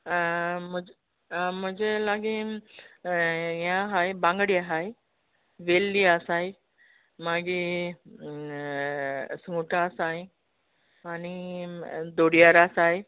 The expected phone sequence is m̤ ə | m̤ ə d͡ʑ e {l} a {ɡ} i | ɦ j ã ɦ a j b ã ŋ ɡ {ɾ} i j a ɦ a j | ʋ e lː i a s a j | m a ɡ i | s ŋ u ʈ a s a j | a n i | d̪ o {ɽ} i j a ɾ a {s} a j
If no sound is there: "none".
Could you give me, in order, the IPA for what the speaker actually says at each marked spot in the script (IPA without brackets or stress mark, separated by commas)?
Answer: l, ɡ, ɽ, ɽ, s